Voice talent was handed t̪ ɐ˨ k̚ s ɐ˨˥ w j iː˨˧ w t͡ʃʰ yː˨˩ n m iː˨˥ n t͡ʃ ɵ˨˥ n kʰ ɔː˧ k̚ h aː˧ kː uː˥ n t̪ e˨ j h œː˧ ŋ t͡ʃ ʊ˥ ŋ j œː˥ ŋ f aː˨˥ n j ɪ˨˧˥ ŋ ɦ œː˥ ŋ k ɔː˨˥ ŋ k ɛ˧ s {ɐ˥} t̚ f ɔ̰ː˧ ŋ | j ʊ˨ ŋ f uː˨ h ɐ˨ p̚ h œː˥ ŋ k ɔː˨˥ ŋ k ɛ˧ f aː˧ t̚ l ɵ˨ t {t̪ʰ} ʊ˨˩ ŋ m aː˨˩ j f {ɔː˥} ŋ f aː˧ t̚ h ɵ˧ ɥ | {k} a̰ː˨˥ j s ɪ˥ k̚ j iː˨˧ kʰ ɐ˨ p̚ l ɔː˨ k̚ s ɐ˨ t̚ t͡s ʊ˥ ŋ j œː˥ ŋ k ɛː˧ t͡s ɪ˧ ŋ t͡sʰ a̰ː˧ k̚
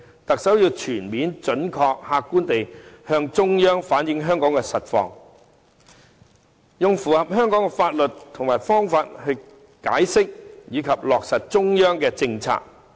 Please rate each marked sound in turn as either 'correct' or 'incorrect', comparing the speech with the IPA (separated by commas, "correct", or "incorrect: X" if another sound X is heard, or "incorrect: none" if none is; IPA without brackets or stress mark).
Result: incorrect: ɐ˨, correct, correct, correct